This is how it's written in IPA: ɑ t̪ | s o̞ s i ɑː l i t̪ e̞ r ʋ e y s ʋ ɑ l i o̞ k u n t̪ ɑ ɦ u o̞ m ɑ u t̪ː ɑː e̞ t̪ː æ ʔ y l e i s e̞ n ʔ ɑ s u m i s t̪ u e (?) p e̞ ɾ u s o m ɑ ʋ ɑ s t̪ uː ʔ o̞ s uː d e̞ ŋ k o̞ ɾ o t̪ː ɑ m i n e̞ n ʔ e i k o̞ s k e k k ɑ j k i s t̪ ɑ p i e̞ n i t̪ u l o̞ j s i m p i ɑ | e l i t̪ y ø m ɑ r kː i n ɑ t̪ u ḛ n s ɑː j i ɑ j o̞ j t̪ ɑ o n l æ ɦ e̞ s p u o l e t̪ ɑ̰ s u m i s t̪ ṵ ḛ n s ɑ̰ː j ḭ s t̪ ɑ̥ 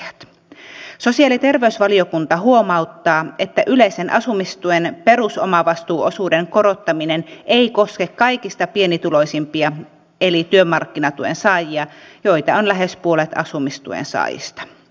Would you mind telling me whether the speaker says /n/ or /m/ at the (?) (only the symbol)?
n